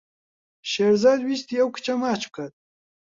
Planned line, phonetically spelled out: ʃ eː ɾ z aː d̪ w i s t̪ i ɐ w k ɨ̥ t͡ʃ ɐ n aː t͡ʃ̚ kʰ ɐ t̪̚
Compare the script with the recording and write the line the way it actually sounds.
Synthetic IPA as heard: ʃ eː ɾ z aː d̪ w i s t̪ i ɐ w k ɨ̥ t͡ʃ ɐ m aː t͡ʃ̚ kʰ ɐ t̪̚